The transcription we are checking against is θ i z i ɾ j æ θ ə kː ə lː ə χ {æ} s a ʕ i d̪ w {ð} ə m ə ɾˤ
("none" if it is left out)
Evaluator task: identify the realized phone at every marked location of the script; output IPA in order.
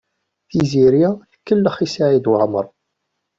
i, ʕ

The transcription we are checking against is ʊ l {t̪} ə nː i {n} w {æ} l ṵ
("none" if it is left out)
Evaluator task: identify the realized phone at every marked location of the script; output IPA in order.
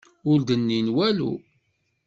d̪, n, æ

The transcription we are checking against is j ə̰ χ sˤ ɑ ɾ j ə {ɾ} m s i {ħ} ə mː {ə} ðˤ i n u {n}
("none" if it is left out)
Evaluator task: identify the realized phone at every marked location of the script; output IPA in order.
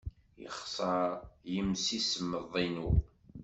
none, s, ə, none

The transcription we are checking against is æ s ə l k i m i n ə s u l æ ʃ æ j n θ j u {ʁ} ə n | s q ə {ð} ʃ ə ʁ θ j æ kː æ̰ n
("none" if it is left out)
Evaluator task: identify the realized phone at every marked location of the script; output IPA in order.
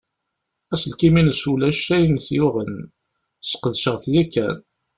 ʁ, ð

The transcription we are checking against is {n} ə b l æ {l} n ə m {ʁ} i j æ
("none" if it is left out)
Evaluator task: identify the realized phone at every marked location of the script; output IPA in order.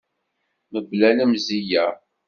m, none, z

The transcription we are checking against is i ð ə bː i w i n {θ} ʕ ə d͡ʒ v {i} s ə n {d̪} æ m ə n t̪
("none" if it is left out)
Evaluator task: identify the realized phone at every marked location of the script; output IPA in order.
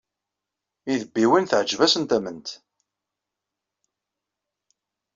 θ, æ, t̪

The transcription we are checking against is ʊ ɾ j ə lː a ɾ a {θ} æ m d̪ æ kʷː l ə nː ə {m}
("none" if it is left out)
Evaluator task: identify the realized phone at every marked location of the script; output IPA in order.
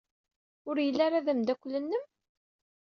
ð, m

